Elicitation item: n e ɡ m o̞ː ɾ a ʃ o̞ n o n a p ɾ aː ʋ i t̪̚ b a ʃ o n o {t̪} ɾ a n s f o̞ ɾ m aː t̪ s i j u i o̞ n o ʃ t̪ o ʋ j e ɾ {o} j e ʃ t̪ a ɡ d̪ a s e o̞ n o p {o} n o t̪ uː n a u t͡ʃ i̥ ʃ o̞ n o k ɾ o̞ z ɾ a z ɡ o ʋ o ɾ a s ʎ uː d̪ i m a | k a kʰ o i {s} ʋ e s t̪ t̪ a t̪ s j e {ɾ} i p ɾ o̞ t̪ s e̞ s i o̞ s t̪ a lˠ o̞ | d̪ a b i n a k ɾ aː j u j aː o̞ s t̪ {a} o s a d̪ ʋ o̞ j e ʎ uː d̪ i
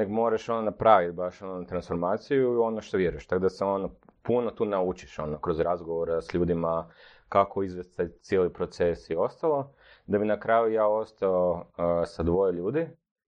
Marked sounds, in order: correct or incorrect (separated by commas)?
correct, incorrect, incorrect, incorrect, incorrect, correct